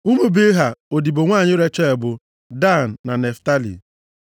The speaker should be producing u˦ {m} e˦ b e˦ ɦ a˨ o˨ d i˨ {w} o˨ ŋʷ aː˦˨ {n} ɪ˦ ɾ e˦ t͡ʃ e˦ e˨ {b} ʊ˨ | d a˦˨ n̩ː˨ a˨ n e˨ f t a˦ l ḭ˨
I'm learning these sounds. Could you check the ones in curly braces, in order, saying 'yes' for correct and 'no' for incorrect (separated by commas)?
yes, no, no, yes